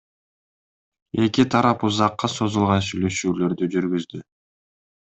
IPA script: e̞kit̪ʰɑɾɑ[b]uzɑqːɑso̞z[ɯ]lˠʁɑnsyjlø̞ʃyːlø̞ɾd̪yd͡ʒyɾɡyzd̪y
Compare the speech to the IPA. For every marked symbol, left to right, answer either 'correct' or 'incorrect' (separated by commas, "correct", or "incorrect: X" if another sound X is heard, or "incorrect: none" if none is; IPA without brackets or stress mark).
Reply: incorrect: p, incorrect: u